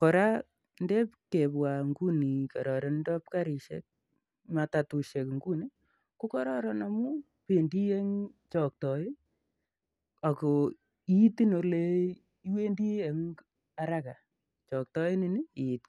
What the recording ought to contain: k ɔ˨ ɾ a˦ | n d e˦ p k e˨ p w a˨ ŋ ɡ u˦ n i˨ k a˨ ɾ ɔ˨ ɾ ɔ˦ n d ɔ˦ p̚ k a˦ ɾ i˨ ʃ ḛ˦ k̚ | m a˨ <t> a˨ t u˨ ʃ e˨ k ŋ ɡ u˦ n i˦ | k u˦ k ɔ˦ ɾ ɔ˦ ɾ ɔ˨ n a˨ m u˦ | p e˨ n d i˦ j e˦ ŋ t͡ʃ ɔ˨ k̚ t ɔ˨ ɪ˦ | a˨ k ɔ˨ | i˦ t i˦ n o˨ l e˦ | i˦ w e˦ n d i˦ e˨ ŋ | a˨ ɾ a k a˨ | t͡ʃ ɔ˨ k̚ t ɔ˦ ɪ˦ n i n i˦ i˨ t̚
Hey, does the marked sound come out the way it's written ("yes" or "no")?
yes